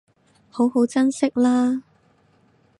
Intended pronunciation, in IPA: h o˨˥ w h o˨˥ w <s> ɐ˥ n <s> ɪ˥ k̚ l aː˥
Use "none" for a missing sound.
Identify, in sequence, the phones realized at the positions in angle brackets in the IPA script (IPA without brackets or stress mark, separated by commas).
t͡s, s